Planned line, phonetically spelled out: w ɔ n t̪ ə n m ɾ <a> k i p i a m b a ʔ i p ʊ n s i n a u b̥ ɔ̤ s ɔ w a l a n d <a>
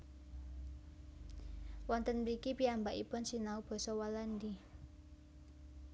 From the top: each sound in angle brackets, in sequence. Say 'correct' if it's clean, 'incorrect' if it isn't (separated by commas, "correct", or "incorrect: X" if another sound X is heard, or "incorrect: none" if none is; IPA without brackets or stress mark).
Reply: incorrect: i, incorrect: i